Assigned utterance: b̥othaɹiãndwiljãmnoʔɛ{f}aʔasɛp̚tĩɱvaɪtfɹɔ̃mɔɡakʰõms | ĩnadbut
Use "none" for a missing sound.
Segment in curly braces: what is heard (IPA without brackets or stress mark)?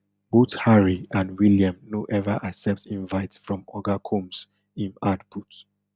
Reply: v